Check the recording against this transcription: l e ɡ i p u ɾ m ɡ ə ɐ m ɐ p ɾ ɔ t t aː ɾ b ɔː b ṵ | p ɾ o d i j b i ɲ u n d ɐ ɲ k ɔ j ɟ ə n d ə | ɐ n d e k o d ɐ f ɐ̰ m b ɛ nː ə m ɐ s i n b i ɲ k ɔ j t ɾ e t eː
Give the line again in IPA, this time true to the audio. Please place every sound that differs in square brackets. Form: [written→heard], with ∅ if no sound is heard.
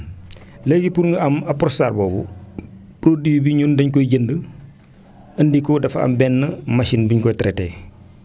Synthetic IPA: l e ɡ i p u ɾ [m→ŋ] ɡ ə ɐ m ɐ p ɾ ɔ [t→s] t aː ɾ b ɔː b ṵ | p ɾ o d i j b i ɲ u n d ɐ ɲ k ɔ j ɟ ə n d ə | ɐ n d [e→i] k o d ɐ f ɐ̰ m b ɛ nː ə m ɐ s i n b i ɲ k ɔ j t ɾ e t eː